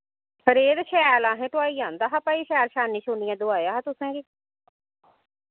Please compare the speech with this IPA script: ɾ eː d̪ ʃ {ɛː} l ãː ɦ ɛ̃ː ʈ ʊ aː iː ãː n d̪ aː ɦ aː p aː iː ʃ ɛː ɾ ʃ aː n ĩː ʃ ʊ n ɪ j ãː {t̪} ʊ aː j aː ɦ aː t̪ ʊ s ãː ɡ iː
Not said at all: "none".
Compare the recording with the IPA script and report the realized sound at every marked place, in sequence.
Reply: ɛː, d̪

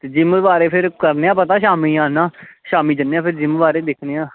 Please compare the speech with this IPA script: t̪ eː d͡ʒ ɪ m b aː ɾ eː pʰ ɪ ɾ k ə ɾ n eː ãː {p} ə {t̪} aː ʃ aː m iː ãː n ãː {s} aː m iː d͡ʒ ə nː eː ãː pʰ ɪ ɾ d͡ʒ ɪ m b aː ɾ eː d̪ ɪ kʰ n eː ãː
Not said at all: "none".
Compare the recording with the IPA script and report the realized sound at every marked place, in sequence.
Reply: p, t̪, ʃ

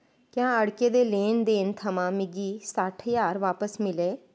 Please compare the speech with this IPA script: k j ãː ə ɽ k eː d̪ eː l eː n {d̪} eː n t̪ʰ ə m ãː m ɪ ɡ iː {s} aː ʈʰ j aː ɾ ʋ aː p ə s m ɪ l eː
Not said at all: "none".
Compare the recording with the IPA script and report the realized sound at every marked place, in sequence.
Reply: d̪, s

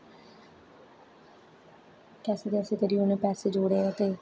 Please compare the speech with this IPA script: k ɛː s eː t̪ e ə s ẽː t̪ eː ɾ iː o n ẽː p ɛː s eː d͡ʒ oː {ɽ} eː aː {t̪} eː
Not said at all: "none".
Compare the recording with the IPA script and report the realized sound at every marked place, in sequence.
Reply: ɽ, t̪

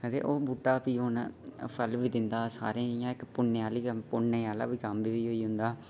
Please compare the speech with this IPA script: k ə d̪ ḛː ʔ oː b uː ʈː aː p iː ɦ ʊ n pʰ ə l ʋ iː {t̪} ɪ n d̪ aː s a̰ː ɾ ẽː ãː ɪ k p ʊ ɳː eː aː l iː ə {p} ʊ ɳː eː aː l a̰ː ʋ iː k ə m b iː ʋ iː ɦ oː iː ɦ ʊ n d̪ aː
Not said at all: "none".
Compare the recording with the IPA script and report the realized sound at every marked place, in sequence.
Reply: d̪, p

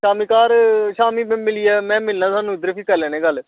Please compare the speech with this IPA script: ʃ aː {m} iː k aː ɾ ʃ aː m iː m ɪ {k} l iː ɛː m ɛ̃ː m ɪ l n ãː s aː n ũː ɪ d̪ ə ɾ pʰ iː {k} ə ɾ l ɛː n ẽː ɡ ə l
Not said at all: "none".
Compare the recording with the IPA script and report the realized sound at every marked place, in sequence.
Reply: m, none, k

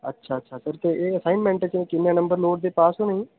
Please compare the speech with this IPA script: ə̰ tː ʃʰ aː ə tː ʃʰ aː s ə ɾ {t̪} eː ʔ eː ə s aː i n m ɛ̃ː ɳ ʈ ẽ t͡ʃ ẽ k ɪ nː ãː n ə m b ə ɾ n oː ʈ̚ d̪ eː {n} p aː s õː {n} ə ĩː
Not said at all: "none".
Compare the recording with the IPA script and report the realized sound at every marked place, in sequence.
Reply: t̪, none, n

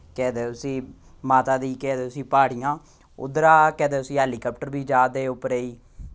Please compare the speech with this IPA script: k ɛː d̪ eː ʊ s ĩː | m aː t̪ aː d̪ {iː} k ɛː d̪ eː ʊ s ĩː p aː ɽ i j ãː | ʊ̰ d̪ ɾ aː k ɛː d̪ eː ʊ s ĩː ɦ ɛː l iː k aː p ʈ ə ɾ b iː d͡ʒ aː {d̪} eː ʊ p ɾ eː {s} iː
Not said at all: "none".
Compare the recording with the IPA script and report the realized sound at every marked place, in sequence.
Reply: iː, d̪, none

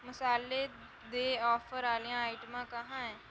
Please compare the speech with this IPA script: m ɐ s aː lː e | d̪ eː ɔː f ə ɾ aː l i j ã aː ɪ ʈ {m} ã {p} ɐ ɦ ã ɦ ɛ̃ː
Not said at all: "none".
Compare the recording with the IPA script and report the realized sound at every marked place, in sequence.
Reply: m, k

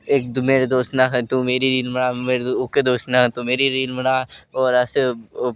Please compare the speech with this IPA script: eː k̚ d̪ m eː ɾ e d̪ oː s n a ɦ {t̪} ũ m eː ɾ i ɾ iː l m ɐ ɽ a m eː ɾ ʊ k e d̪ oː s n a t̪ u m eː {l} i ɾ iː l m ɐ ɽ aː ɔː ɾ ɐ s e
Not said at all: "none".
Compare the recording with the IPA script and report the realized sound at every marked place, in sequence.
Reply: t̪, ɾ

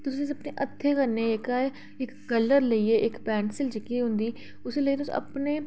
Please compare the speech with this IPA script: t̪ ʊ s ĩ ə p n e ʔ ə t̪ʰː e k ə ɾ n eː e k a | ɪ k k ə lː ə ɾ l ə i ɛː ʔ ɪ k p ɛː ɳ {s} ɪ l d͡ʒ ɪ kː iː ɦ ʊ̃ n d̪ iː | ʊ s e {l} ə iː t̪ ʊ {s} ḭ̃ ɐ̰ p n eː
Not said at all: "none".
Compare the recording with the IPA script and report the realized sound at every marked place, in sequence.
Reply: s, l, s

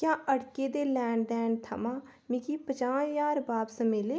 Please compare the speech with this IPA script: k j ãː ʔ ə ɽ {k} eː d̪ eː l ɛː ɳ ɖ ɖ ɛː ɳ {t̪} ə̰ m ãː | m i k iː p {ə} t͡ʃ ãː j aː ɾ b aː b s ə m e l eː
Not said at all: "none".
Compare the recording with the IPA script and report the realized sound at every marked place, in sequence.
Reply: k, t̪ʰ, ə

